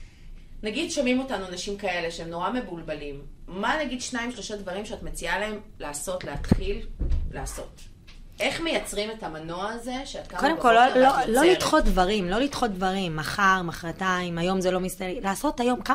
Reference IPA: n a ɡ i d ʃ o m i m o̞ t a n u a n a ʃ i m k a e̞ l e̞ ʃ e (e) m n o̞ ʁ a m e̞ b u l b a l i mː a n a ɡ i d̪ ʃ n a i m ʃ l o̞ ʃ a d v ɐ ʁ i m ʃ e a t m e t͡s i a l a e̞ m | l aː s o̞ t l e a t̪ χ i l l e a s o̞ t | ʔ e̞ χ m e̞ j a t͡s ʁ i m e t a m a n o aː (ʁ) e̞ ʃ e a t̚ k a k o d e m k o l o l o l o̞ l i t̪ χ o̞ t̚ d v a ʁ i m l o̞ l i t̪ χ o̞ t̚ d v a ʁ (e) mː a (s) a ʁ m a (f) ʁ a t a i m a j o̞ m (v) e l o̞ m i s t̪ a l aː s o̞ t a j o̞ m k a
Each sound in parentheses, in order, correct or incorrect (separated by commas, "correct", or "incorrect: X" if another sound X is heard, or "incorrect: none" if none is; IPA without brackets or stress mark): correct, incorrect: z, incorrect: i, incorrect: χ, incorrect: χ, incorrect: z